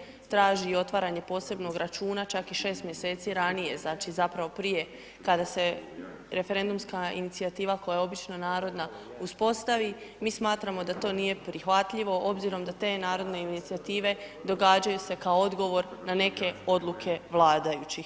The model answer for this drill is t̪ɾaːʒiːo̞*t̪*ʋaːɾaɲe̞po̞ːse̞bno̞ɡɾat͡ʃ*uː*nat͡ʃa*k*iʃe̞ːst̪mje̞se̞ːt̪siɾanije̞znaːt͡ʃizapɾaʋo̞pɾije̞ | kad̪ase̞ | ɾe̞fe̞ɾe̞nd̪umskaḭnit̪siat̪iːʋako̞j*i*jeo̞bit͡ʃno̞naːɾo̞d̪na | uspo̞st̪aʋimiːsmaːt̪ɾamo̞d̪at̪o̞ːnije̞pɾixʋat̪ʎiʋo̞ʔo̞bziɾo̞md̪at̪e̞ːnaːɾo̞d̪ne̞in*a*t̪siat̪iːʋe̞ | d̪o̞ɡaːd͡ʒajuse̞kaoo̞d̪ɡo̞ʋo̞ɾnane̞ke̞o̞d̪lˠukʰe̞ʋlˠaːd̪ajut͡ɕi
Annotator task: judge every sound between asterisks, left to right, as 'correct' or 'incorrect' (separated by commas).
correct, correct, correct, incorrect, incorrect